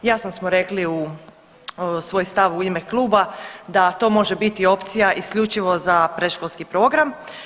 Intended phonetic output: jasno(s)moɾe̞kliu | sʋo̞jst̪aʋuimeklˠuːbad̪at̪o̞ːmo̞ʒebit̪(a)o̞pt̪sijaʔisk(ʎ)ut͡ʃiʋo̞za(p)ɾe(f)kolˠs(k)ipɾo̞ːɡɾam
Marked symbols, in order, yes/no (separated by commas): yes, no, yes, yes, no, yes